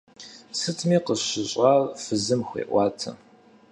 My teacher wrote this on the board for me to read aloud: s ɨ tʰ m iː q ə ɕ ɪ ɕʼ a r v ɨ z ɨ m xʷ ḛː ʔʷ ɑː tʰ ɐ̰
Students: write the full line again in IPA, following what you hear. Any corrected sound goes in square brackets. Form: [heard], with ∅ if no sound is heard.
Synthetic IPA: s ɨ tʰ m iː q ə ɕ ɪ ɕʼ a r [f] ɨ z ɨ m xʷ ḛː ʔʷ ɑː tʰ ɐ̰